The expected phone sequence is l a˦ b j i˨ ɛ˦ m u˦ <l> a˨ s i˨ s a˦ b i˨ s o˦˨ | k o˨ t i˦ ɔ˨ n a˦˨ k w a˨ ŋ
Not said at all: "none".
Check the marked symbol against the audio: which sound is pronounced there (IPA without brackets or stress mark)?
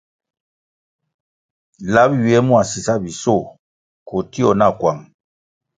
none